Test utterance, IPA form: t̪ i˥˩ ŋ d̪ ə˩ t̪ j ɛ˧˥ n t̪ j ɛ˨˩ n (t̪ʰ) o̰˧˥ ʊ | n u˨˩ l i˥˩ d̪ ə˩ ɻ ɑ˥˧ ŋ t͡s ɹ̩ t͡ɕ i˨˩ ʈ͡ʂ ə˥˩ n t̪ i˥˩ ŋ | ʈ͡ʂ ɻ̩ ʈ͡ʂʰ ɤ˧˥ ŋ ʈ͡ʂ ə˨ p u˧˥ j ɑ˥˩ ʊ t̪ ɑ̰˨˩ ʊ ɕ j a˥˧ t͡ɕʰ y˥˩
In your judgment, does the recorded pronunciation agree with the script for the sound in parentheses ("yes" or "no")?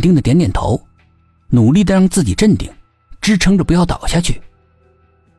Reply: yes